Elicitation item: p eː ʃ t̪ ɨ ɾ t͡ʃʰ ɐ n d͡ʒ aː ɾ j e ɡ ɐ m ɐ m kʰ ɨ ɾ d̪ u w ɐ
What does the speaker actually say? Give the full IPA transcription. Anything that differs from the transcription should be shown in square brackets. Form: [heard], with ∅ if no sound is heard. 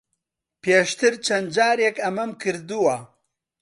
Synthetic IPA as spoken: p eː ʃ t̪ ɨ ɾ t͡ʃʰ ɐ n d͡ʒ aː ɾ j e [k] ɐ m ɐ m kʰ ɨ ɾ d̪ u w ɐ